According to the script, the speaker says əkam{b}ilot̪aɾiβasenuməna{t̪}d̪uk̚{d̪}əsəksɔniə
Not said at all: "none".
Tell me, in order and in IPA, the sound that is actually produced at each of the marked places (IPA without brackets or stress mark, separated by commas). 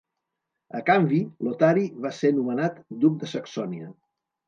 b, t̪, d̪